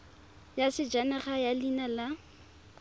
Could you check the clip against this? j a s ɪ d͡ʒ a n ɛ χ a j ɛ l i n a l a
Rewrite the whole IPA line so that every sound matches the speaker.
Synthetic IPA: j a s ɪ d͡ʒ a n ɛ χ a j a l i n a l a